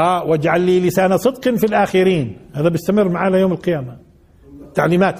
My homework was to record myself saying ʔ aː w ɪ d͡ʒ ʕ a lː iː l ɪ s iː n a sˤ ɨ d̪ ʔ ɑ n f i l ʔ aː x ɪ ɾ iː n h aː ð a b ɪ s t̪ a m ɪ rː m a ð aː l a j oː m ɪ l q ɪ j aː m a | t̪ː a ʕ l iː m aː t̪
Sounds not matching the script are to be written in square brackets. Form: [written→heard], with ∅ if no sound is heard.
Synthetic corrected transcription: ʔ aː w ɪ d͡ʒ ʕ a lː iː l ɪ s [iː→aː] n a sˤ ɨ d̪ [ʔ→q] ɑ n f i l ʔ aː x ɪ ɾ iː n h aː ð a b ɪ s t̪ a m ɪ rː m a [ð→ʕ] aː l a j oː m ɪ l q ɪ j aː m a | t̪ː a ʕ l iː m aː t̪